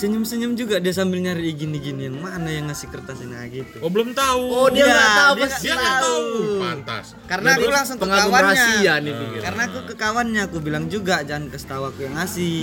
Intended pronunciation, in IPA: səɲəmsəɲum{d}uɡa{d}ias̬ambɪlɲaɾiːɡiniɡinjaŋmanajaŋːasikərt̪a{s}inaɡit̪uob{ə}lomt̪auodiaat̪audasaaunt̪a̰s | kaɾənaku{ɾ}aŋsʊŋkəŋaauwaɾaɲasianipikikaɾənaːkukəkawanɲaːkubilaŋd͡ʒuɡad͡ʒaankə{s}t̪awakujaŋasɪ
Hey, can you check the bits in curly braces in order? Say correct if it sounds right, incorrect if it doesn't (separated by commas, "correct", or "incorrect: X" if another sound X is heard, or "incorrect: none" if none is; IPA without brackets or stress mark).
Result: incorrect: d͡ʒ, correct, correct, correct, incorrect: l, correct